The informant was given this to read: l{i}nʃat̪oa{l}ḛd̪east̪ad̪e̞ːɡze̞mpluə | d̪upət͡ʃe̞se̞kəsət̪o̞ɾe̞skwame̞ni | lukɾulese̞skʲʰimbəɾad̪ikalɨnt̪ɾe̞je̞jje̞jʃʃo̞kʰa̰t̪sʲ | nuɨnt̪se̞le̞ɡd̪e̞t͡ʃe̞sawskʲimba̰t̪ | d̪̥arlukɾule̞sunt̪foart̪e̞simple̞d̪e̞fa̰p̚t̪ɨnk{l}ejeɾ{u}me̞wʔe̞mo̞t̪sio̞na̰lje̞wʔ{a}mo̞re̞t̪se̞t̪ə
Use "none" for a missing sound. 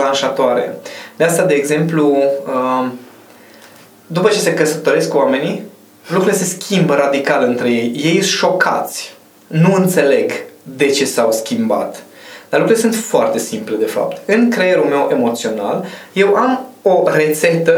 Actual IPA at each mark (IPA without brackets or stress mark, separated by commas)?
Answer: a, ɾ, ɾ, u, a